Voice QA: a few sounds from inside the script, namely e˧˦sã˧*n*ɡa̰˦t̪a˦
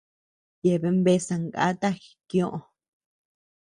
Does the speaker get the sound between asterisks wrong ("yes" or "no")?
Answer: yes